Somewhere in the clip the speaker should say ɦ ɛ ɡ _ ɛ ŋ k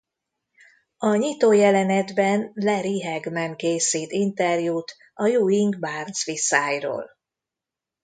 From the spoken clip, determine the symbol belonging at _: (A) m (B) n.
A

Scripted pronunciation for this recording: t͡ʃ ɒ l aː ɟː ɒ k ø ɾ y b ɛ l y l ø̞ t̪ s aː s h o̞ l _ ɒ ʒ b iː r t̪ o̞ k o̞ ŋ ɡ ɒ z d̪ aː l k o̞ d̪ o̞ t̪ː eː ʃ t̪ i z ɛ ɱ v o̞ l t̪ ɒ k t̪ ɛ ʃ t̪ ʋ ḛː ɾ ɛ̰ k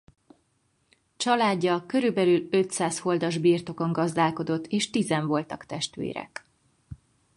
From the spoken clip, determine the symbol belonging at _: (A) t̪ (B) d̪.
B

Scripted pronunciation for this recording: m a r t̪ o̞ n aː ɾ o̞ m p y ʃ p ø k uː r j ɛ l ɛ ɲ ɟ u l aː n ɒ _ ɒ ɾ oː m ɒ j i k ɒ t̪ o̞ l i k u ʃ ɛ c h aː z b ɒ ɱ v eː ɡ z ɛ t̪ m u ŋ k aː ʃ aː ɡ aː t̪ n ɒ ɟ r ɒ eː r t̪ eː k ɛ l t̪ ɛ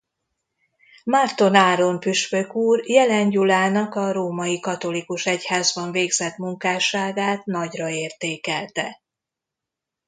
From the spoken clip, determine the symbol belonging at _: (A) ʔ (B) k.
B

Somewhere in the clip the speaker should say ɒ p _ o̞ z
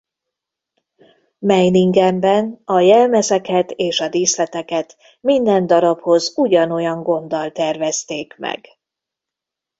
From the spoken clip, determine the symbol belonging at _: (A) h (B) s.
A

